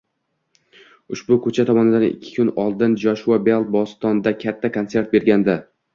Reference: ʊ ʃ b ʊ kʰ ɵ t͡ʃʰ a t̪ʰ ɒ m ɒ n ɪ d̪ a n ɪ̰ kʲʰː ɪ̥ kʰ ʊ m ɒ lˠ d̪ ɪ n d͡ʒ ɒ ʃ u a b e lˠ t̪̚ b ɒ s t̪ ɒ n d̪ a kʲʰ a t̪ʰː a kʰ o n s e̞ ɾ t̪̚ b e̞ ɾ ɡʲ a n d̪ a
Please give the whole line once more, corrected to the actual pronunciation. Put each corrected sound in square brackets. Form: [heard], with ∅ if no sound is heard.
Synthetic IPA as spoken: ʊ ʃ b ʊ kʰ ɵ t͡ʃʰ a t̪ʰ ɒ m ɒ n ɪ d̪ a n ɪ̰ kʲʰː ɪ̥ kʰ ʊ [n] ɒ lˠ d̪ ɪ n d͡ʒ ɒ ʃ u a b e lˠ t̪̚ b ɒ s t̪ ɒ n d̪ a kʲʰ a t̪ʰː a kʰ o n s e̞ ɾ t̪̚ b e̞ ɾ ɡʲ a n d̪ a